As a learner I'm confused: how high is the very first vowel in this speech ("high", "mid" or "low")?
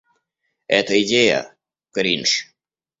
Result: mid